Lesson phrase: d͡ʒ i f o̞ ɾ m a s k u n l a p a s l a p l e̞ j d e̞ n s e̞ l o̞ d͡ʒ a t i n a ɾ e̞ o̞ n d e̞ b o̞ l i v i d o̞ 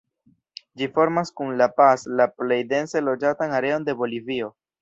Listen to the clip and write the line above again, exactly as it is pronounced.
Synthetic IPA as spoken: d͡ʒ i f o̞ ɾ m a s k u n l a p a s l a p l e̞ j d e̞ n s e̞ l o̞ d͡ʒ a t a n a ɾ e̞ o̞ n d e̞ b o̞ l i v i o̞